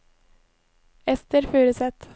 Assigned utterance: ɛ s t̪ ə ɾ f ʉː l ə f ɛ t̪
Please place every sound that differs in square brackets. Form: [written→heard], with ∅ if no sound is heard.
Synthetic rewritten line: ɛ s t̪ ə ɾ f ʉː [l→ɾ] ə [f→s] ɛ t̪

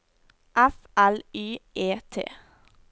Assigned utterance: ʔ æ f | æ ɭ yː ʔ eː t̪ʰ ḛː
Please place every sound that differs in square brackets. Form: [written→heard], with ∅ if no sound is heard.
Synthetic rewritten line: ʔ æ f | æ [ɭ→l] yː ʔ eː t̪ʰ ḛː

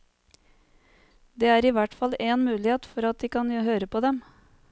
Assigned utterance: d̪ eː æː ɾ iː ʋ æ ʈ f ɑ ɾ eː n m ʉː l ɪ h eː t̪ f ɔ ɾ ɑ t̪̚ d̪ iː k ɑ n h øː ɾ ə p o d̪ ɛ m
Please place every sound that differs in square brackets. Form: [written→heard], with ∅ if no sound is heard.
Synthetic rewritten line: d̪ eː æː ɾ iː ʋ æ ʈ f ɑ [ɾ→l] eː n m ʉː l ɪ h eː t̪ f ɔ ɾ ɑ t̪̚ d̪ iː k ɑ n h øː ɾ ə p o d̪ ɛ m

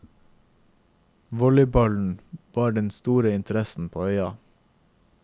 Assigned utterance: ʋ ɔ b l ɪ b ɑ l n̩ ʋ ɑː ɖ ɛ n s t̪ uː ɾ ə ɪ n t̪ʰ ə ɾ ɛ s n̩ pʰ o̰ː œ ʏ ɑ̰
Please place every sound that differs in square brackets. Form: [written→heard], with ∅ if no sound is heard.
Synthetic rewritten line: ʋ ɔ [b→∅] l ɪ b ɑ l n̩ ʋ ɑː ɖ ɛ n s t̪ uː ɾ ə ɪ n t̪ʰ ə ɾ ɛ s n̩ pʰ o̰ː œ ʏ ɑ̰

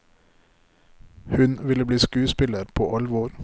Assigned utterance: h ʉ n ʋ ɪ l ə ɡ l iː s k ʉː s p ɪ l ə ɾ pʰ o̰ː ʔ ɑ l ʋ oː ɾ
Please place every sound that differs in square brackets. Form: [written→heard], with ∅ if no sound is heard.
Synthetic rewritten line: h ʉ n ʋ ɪ l ə [ɡ→b] l iː s k ʉː s p ɪ l ə ɾ pʰ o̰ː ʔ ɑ l ʋ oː ɾ

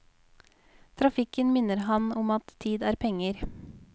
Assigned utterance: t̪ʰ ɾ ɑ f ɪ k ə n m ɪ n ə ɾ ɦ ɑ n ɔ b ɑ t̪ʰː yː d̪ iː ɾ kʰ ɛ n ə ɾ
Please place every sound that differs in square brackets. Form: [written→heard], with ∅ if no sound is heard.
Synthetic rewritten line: t̪ʰ ɾ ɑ f ɪ k ə n m ɪ n ə ɾ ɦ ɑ n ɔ [b→m] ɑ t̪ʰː [yː→iː] d̪ [iː→æː] ɾ [kʰ→pʰ] ɛ [n→ŋ] ə ɾ

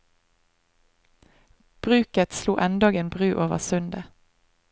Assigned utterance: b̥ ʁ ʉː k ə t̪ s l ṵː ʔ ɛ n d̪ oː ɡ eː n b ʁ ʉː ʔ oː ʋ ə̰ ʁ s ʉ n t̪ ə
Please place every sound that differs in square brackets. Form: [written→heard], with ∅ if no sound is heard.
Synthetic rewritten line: b̥ ʁ ʉː k ə t̪ s l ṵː ʔ ɛ n d̪ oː ɡ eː n b ʁ ʉː ʔ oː ʋ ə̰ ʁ s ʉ n [t̪→d̪] ə

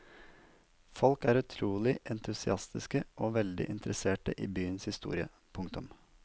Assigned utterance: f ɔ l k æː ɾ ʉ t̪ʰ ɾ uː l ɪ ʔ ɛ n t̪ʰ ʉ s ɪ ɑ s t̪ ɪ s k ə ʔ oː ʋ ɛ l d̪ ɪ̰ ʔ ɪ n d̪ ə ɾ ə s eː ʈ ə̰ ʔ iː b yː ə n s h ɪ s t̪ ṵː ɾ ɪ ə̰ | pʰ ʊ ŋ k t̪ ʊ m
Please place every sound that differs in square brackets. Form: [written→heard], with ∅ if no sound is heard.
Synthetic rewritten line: f ɔ l k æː ɾ ʉ t̪ʰ ɾ uː l ɪ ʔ ɛ n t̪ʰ ʉ s ɪ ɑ s t̪ ɪ s k ə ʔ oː ʋ ɛ l d̪ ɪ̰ ʔ ɪ n [d̪→t̪] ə ɾ ə s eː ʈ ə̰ ʔ iː b yː ə n s h ɪ s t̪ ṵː ɾ ɪ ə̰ | pʰ ʊ ŋ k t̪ ʊ m

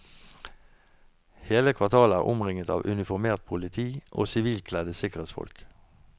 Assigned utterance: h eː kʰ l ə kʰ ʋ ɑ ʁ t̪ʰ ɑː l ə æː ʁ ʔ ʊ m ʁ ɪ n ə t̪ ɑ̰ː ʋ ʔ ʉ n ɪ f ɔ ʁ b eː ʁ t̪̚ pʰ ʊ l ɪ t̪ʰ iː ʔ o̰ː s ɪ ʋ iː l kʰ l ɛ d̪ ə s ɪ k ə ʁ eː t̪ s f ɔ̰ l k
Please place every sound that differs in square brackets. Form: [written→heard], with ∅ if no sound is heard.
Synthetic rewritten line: h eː [kʰ→∅] l ə kʰ ʋ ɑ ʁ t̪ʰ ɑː l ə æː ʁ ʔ ʊ m ʁ ɪ [n→ŋ] ə t̪ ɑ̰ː ʋ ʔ ʉ n ɪ f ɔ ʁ [b→m] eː ʁ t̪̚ pʰ ʊ l ɪ t̪ʰ iː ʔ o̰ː s ɪ ʋ iː l kʰ l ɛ d̪ ə s ɪ k ə ʁ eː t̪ s f ɔ̰ l k

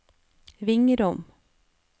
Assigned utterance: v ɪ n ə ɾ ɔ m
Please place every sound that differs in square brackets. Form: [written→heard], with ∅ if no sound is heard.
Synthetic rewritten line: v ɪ [n→ŋ] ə ɾ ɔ m

